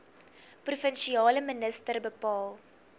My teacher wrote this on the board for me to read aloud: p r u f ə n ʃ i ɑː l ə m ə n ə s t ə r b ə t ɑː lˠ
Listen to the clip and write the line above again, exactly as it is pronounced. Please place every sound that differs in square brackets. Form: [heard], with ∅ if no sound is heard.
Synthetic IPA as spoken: p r u f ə n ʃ i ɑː l ə m ə n ə s t ə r b ə [p] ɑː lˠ